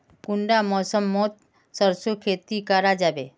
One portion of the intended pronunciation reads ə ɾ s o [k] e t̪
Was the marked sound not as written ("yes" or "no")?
yes